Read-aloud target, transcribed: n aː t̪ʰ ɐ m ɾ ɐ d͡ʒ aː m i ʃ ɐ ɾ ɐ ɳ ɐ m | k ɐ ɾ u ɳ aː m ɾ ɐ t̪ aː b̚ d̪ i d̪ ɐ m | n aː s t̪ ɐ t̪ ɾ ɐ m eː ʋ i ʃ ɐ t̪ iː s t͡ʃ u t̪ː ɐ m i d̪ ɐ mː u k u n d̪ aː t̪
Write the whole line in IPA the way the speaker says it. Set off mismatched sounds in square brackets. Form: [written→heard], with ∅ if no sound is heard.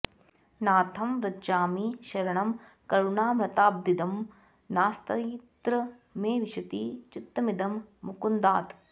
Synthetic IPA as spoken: n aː t̪ʰ ɐ m ɾ ɐ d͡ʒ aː m i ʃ ɐ ɾ ɐ ɳ ɐ m | k ɐ ɾ u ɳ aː m ɾ ɐ t̪ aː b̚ d̪ i d̪ ɐ m | n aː s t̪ ɐ t̪ ɾ ɐ m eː ʋ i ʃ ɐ t̪ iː [s→∅] t͡ʃ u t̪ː ɐ m i d̪ ɐ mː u k u n d̪ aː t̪